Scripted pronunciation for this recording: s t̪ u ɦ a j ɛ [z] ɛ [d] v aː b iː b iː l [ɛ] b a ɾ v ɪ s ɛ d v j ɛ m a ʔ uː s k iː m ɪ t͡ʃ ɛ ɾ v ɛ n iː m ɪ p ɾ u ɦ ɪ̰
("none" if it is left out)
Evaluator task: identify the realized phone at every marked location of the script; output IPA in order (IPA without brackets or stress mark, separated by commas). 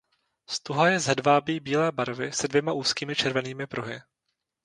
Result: z, d, ɛː